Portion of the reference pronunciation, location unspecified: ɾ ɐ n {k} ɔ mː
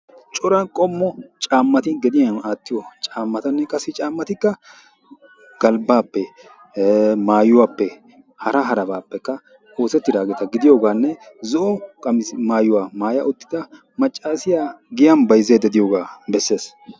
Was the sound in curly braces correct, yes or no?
no